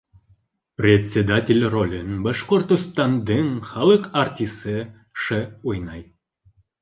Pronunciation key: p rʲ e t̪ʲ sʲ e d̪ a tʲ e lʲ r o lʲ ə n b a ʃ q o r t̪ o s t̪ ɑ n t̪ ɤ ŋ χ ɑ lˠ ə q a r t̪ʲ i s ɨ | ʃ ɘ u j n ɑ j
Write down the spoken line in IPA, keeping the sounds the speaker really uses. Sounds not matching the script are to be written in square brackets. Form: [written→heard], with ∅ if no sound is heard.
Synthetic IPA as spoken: p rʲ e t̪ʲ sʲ e d̪ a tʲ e lʲ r o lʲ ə n b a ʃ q o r t̪ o s t̪ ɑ n [t̪→d̪] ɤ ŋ χ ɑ lˠ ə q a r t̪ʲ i s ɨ | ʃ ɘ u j n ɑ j